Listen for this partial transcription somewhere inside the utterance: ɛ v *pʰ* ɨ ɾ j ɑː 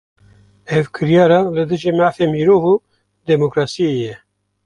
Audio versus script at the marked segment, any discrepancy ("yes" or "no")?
yes